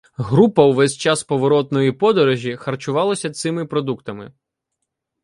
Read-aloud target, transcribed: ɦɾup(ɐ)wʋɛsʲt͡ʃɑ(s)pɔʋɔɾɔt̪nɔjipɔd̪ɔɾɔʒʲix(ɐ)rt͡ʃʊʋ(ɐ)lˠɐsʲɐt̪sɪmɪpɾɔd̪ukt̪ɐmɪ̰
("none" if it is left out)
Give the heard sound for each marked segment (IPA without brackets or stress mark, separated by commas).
ɐ, s, ɐ, ɑ